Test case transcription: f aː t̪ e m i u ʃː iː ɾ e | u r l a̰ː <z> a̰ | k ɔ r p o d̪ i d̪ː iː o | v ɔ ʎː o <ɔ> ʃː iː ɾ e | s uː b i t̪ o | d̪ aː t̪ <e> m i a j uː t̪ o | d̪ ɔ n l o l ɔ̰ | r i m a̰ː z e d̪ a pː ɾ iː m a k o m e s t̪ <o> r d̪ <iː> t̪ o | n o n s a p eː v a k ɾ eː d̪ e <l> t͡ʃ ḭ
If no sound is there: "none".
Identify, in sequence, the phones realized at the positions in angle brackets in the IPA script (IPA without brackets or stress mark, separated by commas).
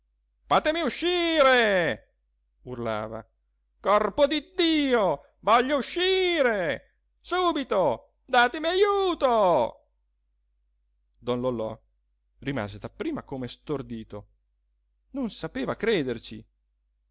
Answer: v, u, e, o, iː, r